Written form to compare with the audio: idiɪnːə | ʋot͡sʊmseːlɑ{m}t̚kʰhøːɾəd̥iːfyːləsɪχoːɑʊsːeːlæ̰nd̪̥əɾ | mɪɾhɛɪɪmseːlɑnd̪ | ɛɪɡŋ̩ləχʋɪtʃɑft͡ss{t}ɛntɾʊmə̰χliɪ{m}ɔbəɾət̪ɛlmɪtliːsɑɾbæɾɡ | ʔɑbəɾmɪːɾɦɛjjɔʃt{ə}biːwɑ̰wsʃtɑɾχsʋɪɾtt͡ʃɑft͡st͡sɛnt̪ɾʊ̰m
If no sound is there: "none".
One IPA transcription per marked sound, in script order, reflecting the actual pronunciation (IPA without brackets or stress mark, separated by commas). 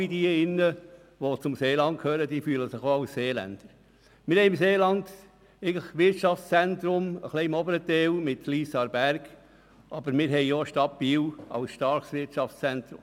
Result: n, t͡s, m, ɑ